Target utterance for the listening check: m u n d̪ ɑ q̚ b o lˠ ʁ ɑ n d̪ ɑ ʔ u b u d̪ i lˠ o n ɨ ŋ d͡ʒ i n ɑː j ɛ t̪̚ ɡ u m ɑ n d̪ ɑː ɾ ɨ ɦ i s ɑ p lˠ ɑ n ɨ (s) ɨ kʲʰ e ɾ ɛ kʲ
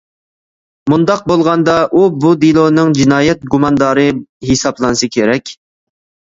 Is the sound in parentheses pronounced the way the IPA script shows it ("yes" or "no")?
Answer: yes